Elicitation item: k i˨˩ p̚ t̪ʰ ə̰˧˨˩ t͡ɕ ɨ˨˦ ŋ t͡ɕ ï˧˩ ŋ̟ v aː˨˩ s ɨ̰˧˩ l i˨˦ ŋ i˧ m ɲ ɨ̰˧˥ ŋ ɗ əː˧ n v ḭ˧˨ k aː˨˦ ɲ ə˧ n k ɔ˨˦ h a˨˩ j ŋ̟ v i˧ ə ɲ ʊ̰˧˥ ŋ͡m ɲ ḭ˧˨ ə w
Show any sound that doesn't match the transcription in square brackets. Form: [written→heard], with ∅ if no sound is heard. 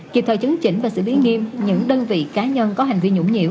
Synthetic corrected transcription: k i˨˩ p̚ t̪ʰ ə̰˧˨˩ t͡ɕ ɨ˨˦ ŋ t͡ɕ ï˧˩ ŋ̟ v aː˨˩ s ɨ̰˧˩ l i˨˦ ŋ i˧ m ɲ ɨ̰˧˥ ŋ ɗ əː˧ n v ḭ˧˨ k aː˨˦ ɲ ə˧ n k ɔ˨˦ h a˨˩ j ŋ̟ v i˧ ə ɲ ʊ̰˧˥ ŋ͡m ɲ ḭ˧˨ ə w